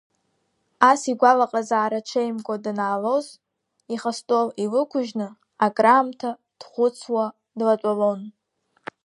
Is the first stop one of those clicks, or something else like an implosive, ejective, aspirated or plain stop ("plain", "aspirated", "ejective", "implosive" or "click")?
plain